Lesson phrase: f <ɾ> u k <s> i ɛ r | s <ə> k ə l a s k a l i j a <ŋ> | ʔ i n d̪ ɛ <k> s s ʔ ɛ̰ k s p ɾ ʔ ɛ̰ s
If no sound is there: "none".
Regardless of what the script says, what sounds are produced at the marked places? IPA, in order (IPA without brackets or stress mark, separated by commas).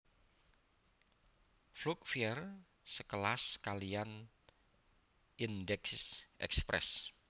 l, f, ə, n, k